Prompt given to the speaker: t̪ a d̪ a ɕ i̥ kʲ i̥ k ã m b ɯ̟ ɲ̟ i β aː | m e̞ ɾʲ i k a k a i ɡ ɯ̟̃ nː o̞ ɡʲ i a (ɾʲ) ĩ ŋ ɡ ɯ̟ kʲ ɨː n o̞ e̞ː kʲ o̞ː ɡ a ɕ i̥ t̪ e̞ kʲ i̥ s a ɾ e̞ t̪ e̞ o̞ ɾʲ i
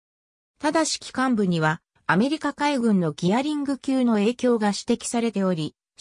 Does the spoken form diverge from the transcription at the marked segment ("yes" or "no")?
no